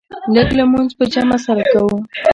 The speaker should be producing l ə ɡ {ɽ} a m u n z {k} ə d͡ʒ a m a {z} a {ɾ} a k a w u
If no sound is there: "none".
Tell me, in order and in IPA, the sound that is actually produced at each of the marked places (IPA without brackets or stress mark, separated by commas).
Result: l, p, s, ɾ